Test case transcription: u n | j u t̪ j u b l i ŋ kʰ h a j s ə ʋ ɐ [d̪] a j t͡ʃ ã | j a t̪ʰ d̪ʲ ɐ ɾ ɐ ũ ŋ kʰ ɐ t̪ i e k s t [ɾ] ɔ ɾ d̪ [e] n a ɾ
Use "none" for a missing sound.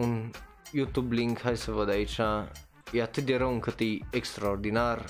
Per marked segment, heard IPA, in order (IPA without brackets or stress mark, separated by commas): d̪, ɾ, i